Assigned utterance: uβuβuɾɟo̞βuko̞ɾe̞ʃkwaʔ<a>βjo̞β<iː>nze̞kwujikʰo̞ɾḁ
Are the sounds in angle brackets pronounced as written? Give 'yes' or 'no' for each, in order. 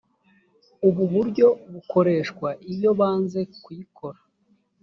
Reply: no, no

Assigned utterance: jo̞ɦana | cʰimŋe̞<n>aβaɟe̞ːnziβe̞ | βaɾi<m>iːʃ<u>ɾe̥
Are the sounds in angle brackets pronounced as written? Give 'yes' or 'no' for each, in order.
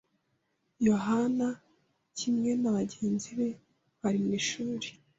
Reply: yes, yes, no

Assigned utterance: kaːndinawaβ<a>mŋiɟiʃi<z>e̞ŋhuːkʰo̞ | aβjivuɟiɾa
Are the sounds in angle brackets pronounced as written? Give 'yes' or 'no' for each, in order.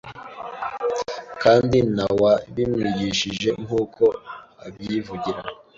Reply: no, no

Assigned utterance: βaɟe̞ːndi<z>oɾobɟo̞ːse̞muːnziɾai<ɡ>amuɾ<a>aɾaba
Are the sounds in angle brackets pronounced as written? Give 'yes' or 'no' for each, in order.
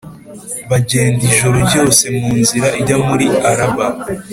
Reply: no, no, no

